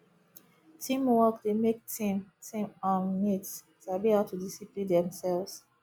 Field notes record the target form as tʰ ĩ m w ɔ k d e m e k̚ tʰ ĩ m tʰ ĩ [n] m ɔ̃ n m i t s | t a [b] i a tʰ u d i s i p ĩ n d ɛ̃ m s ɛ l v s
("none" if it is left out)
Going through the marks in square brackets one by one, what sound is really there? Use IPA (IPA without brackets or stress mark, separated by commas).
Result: none, b